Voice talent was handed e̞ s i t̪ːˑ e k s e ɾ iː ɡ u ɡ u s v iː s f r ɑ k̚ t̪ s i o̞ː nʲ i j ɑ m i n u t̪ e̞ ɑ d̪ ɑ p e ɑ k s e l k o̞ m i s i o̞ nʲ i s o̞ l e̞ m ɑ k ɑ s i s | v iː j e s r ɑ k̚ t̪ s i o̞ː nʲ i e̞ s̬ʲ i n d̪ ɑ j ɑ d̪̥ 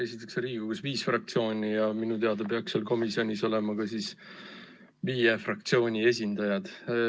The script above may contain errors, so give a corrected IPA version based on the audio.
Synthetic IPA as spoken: e̞ s i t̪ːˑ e k s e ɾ iː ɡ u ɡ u s v iː s f r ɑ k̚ t̪ s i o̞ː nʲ i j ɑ m i n u t̪ e̞ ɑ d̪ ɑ p e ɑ k s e l k o̞ m i s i o̞ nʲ i s o̞ l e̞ m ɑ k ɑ s i s | v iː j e f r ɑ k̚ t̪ s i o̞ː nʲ i e̞ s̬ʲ i n d̪ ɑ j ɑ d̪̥